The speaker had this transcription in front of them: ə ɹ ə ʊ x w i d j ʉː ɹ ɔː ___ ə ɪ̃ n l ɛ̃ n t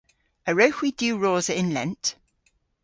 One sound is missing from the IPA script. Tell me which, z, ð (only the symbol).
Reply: z